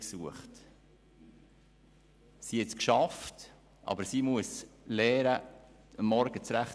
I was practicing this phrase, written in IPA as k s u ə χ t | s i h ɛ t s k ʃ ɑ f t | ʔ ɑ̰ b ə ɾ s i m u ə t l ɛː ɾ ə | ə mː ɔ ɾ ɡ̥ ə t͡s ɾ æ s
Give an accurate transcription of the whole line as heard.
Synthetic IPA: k s u ə χ t | s i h ɛ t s k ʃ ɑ f t | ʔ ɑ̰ b ə ɾ s i m u ə s l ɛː ɾ ə | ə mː ɔ ɾ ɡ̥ ə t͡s ɾ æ χ